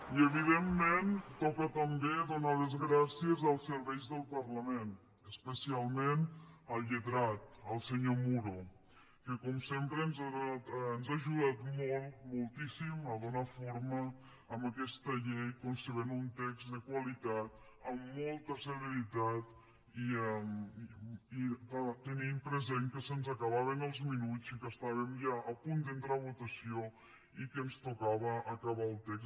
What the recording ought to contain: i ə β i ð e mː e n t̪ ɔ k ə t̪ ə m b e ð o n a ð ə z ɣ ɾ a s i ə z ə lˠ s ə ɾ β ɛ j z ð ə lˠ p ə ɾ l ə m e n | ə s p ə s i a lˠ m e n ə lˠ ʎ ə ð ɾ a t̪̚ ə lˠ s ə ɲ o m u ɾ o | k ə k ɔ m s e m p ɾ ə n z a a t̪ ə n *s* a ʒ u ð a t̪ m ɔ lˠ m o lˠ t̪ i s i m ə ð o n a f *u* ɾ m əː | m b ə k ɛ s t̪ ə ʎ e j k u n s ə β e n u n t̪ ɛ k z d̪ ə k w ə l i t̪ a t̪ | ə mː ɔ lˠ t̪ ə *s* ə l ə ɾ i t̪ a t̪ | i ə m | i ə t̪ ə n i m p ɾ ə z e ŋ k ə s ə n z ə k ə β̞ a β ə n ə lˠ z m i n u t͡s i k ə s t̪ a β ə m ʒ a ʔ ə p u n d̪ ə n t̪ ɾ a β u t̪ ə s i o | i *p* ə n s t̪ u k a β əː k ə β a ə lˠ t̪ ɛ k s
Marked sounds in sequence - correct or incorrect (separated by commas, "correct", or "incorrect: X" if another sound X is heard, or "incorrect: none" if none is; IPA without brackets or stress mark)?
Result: incorrect: z, incorrect: o, correct, incorrect: k